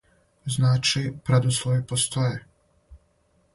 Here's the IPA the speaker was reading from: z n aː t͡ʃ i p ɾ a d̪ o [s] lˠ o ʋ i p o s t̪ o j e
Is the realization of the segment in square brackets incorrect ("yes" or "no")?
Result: no